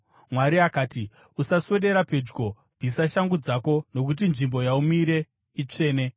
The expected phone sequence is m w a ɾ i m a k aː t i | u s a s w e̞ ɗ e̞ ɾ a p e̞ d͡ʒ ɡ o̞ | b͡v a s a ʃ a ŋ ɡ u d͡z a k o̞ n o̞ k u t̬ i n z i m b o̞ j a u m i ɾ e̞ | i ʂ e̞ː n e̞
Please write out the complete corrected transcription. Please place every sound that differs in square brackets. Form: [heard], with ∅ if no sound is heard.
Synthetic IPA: m w a ɾ i [∅] a k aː t i | u s a s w e̞ ɗ e̞ ɾ a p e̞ d͡ʒ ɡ o̞ | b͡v [i] s a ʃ a ŋ ɡ u d͡z a k o̞ n o̞ k u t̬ i n [ʐ] i m b o̞ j a u m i ɾ e̞ | i [t͡ʂ] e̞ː n e̞